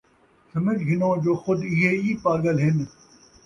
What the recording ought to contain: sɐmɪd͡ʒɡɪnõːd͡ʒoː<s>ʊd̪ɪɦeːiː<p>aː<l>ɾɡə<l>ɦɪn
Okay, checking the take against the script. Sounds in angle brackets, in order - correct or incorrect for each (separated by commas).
incorrect, correct, incorrect, correct